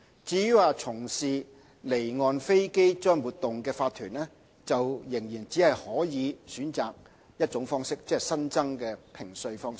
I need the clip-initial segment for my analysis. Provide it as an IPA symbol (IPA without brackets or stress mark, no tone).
t͡s